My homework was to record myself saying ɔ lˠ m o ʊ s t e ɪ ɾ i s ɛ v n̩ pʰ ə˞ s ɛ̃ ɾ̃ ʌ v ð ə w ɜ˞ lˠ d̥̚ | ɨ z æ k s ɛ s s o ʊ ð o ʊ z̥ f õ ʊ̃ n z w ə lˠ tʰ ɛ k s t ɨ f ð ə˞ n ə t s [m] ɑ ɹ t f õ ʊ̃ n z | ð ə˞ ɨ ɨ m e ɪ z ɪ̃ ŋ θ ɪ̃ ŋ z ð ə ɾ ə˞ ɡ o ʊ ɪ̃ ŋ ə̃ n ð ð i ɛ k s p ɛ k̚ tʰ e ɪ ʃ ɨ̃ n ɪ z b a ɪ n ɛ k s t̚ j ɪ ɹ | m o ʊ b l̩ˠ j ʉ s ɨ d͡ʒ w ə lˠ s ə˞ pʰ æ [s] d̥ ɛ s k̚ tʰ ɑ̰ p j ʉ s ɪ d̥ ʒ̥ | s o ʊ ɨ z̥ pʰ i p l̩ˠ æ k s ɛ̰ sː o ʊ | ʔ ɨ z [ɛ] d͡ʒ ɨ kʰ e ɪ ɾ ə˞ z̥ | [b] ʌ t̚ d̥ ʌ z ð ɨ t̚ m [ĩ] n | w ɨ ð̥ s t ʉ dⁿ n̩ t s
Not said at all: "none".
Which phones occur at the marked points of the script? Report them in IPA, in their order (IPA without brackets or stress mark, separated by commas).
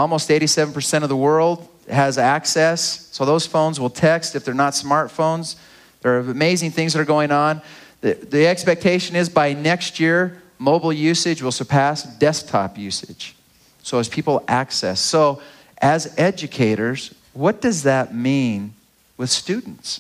m, s, ɛ, w, ĩ